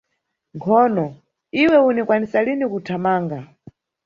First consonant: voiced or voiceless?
voiced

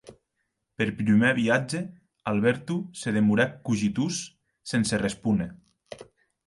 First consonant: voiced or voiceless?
voiceless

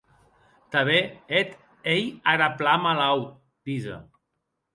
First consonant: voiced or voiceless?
voiceless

